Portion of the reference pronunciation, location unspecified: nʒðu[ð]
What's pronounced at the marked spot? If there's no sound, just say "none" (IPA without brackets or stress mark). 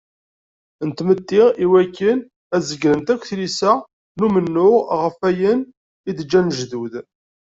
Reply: ð